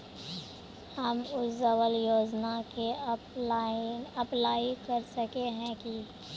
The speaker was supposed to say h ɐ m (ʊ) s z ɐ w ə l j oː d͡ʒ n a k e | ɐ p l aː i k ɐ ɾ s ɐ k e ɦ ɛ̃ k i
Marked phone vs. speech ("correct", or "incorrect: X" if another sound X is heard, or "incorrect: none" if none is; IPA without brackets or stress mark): correct